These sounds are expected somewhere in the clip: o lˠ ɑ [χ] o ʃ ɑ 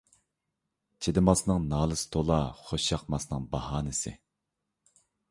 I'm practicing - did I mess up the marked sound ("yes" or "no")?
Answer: no